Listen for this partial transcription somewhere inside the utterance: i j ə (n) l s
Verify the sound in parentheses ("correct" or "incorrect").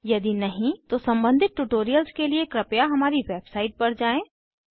incorrect